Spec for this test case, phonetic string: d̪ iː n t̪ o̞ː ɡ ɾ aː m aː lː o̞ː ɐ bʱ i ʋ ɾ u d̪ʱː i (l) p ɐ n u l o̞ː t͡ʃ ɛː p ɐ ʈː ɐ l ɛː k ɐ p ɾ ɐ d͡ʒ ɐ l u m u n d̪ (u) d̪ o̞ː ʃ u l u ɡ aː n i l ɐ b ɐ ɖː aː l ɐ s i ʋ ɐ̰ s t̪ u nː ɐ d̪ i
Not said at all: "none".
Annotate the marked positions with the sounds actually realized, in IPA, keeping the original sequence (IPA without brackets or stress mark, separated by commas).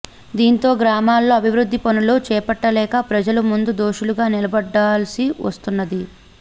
none, u